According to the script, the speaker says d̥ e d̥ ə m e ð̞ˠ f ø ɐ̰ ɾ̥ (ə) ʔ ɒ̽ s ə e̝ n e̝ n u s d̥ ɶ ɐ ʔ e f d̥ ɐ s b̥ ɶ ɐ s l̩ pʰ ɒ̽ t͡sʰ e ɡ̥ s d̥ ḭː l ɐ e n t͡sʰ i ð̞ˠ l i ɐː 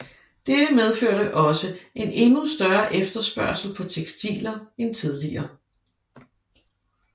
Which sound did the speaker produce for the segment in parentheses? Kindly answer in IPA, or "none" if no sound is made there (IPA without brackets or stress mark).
ə